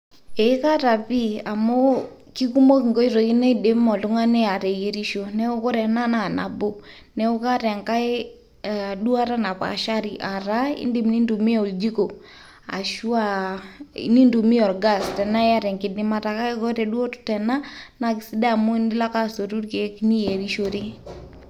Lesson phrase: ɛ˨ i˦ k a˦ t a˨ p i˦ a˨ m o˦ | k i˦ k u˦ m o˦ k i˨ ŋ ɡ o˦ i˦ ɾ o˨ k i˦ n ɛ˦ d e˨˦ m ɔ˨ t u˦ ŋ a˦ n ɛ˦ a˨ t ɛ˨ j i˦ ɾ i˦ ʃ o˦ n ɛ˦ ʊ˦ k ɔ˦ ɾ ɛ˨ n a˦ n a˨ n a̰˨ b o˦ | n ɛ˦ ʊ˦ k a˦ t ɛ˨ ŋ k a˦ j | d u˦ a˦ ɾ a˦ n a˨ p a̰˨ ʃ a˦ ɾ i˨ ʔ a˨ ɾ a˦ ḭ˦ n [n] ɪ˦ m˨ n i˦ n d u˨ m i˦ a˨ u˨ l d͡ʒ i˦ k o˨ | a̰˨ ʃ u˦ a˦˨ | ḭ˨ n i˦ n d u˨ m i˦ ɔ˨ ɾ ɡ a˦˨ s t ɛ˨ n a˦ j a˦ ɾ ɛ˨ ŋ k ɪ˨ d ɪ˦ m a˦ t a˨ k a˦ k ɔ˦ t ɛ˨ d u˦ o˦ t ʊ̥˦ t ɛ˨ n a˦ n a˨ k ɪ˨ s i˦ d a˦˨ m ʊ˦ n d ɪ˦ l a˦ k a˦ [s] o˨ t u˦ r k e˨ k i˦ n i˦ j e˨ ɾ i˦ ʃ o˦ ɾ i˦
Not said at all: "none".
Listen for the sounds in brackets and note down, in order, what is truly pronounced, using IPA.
d, s

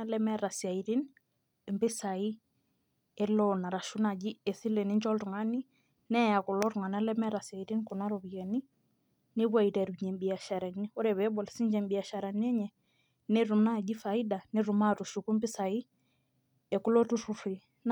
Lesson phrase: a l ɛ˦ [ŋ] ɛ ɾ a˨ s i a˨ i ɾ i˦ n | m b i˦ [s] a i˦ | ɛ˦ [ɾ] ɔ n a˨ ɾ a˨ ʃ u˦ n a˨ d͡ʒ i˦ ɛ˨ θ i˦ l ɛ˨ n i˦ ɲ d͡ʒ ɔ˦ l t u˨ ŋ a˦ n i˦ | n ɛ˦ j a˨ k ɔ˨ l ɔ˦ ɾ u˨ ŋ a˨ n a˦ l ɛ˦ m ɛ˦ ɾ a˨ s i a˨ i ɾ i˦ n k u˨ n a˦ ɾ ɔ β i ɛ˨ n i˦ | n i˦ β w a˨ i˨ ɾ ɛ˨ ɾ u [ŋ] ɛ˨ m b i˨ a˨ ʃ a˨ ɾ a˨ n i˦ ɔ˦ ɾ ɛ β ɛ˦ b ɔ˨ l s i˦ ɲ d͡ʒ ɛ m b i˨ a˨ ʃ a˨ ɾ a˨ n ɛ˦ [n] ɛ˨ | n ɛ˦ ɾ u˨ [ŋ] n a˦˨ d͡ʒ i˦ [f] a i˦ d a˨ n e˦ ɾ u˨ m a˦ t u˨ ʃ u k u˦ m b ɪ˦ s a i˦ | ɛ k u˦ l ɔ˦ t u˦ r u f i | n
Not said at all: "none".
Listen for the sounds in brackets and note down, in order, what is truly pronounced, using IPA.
m, s, l, ɲ, ɲ, m, f

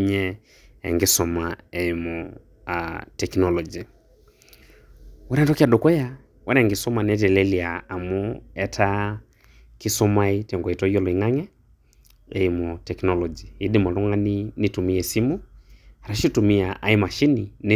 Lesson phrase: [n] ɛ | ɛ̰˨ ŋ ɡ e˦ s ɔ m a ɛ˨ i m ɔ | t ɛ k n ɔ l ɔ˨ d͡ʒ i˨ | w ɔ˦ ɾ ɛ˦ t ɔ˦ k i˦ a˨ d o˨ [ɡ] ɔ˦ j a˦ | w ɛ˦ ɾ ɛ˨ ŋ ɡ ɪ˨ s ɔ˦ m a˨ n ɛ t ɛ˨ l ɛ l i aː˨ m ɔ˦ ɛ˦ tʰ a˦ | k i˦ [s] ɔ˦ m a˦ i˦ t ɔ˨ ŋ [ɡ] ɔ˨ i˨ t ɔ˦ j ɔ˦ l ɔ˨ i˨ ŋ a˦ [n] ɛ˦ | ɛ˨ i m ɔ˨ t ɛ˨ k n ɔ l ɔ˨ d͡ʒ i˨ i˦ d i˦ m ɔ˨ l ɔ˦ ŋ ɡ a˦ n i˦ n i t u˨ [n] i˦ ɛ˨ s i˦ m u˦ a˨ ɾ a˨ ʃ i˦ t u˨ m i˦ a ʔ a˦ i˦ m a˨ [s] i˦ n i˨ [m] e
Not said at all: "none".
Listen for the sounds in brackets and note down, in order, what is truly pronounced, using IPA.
ɲ, k, s, ɡ, ŋ, m, ʃ, n

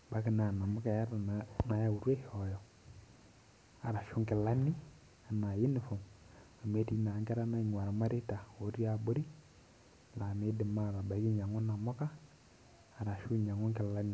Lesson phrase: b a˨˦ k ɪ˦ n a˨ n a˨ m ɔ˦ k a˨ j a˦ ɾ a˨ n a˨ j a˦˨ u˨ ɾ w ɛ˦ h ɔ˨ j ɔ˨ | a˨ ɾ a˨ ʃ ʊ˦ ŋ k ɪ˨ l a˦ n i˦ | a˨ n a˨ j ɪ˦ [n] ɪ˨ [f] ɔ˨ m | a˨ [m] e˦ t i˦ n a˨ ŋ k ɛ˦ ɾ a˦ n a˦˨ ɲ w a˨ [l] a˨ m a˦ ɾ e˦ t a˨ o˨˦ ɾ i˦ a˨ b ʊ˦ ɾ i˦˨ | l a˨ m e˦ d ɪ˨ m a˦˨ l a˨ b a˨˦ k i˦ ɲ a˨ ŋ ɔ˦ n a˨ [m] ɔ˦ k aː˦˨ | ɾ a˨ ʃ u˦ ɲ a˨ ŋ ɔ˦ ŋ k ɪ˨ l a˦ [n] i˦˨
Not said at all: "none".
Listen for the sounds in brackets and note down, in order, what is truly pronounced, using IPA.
n, f, m, ɾ, m, n

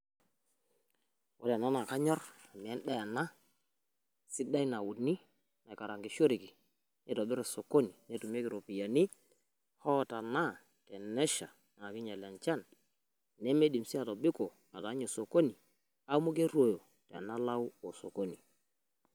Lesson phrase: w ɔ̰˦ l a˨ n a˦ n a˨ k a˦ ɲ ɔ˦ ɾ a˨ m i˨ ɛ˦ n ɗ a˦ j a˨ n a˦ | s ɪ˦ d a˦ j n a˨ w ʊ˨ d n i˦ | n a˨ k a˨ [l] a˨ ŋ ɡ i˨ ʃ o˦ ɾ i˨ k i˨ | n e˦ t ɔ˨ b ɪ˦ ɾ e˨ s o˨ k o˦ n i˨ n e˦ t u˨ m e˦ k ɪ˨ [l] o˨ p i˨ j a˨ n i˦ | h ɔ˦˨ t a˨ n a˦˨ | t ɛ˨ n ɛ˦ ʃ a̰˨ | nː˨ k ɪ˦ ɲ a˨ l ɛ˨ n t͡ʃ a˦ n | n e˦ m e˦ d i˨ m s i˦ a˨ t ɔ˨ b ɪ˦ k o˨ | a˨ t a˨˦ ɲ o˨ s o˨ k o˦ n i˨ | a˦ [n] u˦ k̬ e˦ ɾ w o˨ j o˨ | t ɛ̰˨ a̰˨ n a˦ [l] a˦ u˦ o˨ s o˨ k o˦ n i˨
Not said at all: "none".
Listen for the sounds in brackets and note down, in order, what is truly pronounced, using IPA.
ɾ, ɾ, m, l

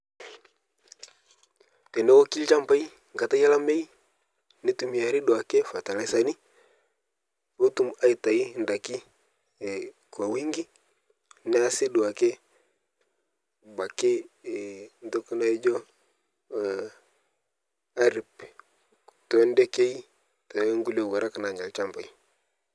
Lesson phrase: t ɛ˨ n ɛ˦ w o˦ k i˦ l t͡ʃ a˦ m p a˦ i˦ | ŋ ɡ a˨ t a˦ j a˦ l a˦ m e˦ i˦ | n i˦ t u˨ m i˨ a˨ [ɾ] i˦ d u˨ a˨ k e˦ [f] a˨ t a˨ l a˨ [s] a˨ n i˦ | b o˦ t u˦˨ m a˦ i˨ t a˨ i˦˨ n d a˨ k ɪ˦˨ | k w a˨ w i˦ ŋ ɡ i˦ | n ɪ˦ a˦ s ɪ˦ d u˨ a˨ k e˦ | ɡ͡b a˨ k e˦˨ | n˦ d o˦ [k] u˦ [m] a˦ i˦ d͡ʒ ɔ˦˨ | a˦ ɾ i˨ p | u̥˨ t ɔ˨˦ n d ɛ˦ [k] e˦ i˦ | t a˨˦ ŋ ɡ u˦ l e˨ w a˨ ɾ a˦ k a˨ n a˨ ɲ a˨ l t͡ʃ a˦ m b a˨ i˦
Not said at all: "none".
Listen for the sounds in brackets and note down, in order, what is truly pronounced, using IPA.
ɾ, f, s, k, n, k

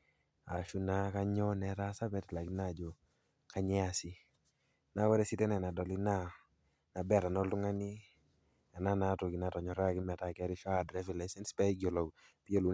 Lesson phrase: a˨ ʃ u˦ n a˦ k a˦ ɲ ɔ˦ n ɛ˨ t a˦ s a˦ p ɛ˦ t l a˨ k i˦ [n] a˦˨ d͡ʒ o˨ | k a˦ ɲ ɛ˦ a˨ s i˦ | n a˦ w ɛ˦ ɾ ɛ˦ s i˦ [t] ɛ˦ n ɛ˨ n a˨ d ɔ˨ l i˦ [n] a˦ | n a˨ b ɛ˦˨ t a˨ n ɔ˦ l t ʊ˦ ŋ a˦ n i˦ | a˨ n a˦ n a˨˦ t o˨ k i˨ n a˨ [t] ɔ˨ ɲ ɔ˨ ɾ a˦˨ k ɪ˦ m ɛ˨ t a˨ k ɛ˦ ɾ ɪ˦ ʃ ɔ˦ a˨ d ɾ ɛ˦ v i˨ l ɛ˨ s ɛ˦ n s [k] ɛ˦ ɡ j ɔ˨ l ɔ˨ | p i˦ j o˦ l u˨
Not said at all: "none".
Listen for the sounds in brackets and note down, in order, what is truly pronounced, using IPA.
n, t, n, t, p

